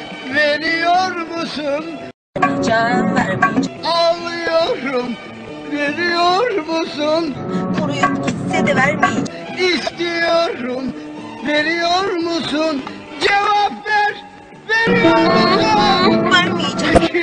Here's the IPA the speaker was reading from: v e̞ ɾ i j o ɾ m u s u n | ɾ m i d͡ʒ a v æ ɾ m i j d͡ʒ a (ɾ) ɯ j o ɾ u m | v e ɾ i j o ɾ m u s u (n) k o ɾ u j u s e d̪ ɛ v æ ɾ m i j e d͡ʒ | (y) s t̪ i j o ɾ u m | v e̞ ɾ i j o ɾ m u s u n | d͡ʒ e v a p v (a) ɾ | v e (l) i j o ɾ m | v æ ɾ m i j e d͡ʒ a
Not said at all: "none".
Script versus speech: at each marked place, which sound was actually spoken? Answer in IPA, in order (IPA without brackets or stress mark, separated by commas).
l, n, i, æ, ɾ